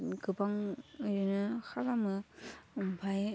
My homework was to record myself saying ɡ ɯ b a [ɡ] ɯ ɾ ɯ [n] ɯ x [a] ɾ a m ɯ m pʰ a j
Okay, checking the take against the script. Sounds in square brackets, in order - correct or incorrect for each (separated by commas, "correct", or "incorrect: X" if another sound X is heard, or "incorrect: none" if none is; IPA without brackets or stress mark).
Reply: incorrect: ŋ, correct, correct